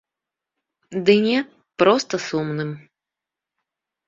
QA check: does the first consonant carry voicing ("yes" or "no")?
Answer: yes